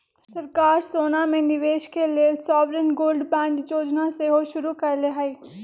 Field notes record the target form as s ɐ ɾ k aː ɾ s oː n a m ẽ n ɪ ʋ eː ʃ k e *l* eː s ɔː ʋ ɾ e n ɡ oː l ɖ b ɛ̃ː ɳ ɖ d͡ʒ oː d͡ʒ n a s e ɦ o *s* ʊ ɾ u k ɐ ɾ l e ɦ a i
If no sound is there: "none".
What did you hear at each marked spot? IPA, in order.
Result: l, ʃ

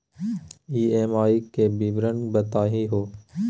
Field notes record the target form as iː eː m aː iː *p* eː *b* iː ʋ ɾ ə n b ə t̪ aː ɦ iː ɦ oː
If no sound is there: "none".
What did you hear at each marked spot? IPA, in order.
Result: k, b

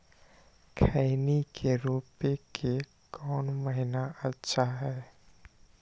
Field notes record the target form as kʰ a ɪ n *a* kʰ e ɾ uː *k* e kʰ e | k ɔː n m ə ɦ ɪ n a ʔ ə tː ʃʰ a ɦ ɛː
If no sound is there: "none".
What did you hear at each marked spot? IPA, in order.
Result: i, p

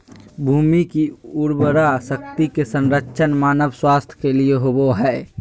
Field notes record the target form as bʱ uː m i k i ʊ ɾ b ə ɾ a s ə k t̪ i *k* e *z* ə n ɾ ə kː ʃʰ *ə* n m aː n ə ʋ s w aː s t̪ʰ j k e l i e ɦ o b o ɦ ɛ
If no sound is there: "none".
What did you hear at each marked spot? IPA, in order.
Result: k, s, ə

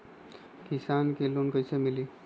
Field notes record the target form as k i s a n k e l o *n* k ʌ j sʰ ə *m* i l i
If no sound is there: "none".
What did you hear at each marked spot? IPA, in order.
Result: n, m

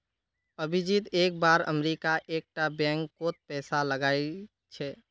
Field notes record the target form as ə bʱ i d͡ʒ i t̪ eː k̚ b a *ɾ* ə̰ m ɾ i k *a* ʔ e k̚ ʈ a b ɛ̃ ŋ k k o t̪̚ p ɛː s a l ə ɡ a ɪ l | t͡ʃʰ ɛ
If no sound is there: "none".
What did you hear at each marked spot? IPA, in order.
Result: ɾ, a

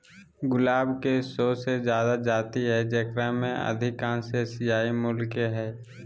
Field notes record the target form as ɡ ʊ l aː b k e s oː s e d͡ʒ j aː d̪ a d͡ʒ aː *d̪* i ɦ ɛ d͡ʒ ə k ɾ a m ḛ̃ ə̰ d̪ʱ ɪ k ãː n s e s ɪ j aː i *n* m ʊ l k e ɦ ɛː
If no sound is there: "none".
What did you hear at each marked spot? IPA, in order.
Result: t̪, none

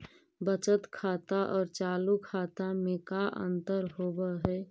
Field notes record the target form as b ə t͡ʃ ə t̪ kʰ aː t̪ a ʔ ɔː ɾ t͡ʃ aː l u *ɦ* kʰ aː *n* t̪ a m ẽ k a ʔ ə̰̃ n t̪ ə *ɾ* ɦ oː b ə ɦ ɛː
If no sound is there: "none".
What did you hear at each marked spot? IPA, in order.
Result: none, none, ɾ

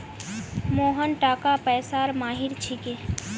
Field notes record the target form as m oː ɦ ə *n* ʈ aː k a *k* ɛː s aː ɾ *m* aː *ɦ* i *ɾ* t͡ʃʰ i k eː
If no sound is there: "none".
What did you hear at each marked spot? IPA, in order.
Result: n, p, m, ɦ, ɾ

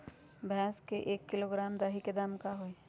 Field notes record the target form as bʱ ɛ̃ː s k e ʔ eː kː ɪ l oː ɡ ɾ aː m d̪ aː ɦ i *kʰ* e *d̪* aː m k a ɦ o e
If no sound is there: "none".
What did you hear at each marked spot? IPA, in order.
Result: k, d̪

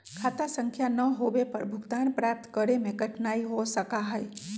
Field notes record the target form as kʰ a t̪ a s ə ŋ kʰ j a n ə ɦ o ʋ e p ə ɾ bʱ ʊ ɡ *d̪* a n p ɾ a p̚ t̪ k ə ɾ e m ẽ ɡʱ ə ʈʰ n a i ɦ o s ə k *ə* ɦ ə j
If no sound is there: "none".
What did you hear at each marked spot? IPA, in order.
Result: t̪, a

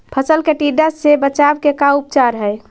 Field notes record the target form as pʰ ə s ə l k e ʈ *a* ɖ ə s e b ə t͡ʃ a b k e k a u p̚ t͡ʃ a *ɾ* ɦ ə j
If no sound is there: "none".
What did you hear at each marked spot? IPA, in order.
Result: i, ɾ

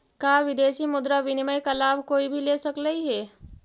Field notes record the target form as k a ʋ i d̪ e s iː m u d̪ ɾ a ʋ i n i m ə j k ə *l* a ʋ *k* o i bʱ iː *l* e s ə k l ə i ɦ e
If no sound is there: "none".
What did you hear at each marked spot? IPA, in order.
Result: l, k, l

